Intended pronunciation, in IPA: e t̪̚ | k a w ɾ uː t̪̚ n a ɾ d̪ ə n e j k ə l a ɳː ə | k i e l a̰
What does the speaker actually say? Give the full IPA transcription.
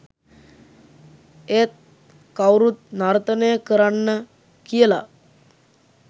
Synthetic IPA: e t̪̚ | k a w ɾ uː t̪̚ n a ɾ t̪ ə n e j k ə ɾ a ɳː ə | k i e l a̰